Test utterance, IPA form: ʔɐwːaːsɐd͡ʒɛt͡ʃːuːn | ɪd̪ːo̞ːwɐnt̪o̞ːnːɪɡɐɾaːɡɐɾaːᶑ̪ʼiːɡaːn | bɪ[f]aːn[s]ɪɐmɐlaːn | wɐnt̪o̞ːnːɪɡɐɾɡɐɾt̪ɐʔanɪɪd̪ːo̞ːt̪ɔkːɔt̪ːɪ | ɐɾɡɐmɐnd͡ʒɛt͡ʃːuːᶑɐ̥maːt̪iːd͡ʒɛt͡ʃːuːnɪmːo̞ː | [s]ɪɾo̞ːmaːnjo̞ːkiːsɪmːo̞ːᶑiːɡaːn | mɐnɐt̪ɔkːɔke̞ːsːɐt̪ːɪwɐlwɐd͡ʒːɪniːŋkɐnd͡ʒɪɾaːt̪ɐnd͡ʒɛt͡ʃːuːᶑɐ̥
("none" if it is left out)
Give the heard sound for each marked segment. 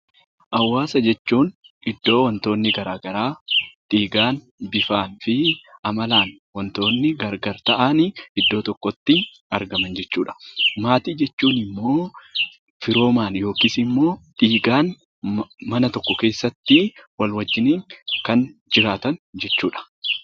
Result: f, f, f

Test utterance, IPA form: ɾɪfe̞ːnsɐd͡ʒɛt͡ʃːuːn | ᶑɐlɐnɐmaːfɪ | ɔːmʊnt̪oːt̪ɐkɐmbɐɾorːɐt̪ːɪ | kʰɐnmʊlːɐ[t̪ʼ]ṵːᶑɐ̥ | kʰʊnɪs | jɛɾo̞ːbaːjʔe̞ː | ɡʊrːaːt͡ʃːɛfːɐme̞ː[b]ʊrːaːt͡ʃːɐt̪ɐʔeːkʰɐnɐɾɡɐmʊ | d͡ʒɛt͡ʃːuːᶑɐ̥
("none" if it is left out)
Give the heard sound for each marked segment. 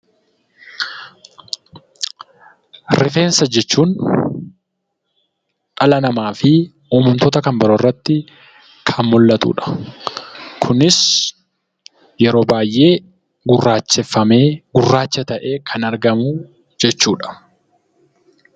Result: t̪, ɡ

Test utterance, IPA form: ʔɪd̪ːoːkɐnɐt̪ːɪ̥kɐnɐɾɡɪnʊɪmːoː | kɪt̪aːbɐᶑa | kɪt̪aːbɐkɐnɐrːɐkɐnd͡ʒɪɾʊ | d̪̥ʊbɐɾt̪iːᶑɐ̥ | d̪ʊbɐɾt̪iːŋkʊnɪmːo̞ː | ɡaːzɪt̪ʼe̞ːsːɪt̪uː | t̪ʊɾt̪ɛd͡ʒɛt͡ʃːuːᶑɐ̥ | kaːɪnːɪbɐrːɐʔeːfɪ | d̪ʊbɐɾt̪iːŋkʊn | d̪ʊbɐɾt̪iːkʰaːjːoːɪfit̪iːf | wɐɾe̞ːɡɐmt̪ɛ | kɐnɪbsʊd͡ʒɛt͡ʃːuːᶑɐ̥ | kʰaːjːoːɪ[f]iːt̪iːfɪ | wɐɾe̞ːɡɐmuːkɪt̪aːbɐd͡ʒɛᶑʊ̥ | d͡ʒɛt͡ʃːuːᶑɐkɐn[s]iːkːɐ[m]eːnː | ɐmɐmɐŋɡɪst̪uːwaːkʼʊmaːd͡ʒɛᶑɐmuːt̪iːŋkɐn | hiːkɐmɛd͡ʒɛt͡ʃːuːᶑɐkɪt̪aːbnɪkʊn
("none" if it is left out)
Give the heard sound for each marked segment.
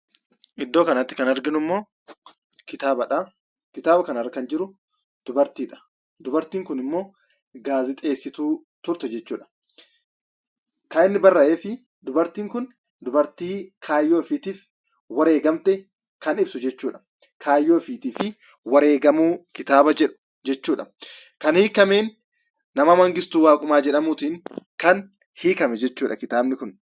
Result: f, h, m

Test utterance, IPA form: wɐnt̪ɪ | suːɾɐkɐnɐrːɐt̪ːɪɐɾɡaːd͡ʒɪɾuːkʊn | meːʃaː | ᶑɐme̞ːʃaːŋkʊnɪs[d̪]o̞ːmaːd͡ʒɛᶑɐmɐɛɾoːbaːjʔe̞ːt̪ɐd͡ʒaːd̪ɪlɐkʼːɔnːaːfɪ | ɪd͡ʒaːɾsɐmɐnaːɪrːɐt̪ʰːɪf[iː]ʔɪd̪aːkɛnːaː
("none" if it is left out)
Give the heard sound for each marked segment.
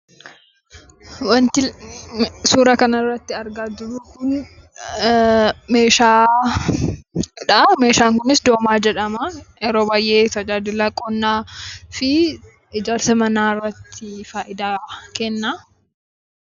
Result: d̪, aː

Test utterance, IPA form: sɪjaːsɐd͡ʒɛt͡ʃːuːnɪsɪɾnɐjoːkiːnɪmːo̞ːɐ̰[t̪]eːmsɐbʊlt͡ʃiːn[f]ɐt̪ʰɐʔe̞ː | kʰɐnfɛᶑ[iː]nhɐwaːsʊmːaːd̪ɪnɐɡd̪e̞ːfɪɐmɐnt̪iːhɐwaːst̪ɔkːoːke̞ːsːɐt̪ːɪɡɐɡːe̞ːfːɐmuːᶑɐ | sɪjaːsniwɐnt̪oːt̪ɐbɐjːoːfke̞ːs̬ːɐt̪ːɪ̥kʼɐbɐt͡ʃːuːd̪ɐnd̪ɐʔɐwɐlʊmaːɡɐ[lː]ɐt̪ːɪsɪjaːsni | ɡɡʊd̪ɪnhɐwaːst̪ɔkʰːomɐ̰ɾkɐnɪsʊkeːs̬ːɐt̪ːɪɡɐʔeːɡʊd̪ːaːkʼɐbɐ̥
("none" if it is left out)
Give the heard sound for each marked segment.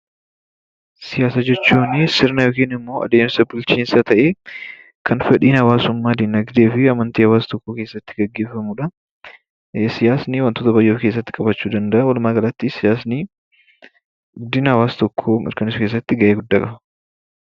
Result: d̪, s, iː, l

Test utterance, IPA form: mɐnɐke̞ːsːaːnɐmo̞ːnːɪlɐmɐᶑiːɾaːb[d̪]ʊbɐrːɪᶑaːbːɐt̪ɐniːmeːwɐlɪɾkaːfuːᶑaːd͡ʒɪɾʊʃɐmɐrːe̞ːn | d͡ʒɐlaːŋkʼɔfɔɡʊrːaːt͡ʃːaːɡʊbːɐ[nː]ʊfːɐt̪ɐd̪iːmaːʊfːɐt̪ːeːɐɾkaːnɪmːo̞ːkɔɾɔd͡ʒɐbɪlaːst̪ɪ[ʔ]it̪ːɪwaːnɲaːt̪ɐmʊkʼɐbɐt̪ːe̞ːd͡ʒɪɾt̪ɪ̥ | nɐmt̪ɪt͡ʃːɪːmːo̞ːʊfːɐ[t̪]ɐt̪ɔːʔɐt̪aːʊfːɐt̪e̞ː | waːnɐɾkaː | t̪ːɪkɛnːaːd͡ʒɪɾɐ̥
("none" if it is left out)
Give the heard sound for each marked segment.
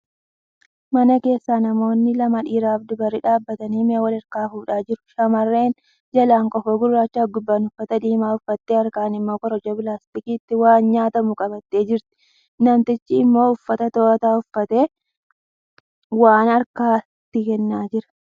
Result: d̪, n, k, t̪

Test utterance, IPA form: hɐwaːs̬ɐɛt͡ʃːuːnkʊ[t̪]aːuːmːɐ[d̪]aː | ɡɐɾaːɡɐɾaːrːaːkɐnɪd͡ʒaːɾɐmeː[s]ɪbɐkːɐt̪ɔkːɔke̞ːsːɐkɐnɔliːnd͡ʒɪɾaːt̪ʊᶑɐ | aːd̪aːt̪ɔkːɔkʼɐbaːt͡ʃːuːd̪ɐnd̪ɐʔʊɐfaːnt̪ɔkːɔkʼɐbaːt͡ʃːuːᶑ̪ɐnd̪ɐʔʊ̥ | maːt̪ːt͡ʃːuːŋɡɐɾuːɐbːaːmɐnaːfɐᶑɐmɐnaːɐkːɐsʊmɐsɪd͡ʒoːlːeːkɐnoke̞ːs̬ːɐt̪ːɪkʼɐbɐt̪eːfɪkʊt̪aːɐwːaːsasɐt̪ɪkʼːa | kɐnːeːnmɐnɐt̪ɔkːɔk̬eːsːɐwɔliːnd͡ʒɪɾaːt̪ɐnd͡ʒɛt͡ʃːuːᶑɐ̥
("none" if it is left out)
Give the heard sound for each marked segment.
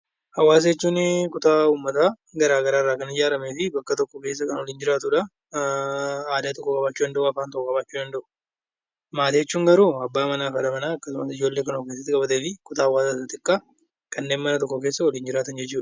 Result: t̪, t̪, f

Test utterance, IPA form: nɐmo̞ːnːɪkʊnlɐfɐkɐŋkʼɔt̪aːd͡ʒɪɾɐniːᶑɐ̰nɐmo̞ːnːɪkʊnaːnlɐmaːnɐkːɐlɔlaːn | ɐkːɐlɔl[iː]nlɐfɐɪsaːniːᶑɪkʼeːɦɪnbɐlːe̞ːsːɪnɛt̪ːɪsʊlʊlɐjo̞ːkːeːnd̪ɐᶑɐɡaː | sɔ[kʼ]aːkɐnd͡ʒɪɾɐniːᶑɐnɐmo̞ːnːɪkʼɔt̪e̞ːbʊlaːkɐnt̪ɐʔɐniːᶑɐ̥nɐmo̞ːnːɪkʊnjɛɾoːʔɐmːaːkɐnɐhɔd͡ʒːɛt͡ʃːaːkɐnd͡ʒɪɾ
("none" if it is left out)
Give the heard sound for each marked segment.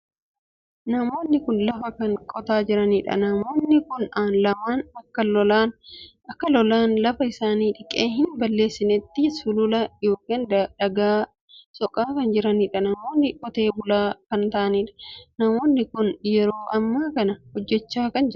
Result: aː, kʼ

